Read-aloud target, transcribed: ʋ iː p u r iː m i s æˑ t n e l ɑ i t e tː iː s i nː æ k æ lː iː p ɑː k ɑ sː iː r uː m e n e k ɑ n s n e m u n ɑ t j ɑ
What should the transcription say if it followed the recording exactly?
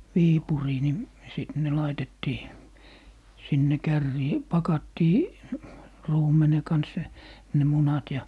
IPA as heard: ʋ iː p u r iː n i s iˑ t n e l ɑ i t e tː iː s i nː e k æ rː iː p ɑ k ɑ tː iː r uː m e n e k ɑ n s n e m u n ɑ t j ɑ